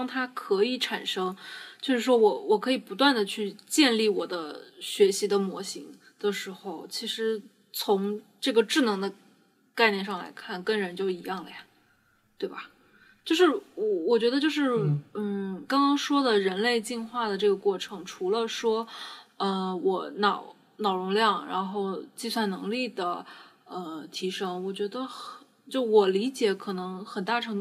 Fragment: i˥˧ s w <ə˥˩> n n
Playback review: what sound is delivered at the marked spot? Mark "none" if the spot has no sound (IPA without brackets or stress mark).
a˥˩